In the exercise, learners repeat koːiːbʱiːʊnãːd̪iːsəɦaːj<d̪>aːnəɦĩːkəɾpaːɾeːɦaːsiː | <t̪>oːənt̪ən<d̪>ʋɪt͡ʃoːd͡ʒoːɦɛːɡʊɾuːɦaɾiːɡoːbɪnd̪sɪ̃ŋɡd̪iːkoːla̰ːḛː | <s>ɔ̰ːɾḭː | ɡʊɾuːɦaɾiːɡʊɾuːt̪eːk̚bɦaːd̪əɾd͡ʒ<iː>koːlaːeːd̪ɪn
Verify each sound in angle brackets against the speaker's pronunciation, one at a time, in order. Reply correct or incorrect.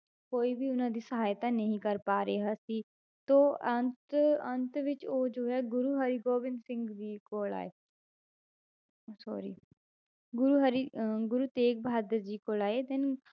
incorrect, correct, incorrect, correct, correct

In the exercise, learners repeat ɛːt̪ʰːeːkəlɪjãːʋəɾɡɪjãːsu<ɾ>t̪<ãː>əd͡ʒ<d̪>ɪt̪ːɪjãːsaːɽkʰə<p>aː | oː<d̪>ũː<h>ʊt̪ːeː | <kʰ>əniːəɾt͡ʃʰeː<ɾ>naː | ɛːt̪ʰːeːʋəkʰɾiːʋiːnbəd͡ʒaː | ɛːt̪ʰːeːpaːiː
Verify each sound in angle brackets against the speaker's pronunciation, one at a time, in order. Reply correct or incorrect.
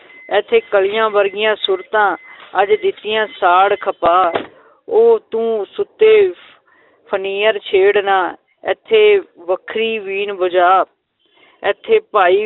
correct, correct, correct, correct, incorrect, incorrect, incorrect, incorrect

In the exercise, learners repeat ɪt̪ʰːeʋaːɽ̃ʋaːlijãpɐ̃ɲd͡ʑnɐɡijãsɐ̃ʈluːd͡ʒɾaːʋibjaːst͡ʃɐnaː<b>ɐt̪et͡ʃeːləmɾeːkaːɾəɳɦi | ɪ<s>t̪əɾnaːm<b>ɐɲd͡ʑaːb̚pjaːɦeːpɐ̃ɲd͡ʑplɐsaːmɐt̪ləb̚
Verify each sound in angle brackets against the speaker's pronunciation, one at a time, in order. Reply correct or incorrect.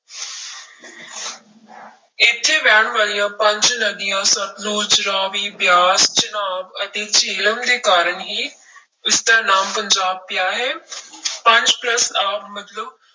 correct, correct, incorrect

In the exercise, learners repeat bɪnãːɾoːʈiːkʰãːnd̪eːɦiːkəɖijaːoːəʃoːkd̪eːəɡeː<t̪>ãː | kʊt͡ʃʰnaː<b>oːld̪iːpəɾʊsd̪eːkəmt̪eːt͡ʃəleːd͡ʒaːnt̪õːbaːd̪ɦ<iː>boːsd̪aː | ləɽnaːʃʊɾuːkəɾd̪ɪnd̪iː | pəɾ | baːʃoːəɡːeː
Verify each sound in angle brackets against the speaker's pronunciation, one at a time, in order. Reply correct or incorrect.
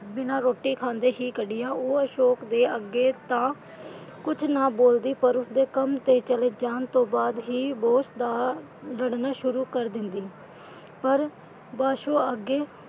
correct, correct, correct

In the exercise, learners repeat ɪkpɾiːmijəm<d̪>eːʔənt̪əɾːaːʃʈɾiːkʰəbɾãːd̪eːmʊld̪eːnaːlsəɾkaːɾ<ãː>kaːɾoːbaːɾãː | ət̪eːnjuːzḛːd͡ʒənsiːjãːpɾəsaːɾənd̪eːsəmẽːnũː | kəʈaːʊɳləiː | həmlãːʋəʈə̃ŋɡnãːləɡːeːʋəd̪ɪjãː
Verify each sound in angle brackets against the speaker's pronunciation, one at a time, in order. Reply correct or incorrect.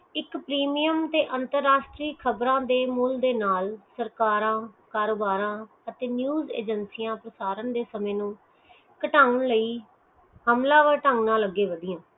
incorrect, correct

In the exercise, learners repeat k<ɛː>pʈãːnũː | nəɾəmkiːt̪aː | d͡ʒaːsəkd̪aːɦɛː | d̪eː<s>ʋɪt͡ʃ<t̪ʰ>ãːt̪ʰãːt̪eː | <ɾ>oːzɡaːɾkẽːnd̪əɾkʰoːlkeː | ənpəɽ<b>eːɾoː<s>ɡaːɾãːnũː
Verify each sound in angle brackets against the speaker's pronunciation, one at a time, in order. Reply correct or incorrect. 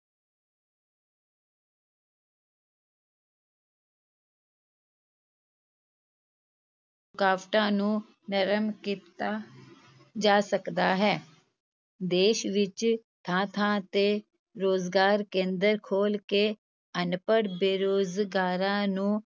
incorrect, incorrect, correct, correct, correct, incorrect

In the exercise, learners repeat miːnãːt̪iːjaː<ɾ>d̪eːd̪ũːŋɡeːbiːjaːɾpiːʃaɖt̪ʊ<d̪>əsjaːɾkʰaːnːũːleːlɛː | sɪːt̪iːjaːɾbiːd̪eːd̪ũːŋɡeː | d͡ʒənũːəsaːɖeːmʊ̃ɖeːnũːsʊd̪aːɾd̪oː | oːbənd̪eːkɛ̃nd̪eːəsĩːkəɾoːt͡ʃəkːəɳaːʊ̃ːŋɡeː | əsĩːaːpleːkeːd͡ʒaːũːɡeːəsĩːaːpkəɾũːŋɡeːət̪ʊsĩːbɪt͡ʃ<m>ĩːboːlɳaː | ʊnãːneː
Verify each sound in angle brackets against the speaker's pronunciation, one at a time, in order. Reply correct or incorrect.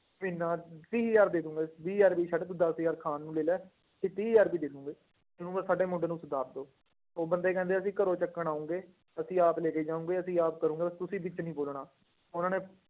correct, correct, incorrect

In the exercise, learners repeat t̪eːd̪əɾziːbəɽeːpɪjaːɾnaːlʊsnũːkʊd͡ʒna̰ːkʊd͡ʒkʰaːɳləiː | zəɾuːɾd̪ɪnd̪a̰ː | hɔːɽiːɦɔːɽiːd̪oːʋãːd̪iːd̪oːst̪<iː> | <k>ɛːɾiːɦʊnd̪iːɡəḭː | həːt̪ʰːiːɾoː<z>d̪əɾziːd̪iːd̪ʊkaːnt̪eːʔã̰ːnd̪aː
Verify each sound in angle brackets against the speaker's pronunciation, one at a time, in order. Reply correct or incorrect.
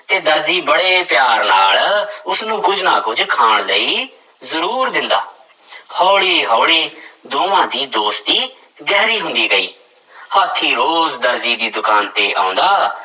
correct, incorrect, correct

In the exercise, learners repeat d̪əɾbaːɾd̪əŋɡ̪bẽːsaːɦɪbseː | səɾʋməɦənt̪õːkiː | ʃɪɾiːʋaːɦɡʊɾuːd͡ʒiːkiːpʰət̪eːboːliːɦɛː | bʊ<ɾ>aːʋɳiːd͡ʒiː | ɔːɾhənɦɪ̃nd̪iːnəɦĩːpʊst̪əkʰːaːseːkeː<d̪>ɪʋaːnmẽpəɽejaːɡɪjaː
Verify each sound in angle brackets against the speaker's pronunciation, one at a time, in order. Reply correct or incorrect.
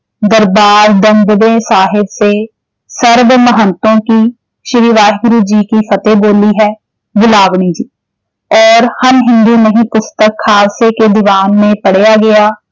incorrect, correct

